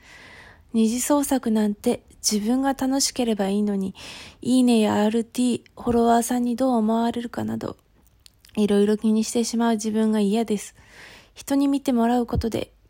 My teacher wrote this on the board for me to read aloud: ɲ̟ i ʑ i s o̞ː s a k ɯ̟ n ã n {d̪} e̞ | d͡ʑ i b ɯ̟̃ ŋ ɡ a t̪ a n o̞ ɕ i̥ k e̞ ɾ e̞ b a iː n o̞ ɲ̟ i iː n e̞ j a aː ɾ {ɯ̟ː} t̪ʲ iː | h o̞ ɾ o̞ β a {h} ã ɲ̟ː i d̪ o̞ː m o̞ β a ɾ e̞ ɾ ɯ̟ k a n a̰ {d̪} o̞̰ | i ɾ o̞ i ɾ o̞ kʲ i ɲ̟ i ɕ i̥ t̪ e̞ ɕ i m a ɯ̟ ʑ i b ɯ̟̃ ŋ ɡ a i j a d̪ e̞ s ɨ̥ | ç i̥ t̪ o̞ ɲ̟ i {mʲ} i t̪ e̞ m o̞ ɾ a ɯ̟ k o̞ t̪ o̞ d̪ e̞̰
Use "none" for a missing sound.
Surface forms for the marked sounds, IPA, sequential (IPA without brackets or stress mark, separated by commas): t̪, ɯ̟, s, d̪, mʲ